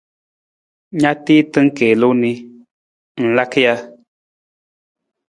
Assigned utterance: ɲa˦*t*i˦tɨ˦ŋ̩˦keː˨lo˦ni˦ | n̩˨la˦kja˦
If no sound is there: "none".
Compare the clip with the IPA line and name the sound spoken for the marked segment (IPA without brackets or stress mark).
t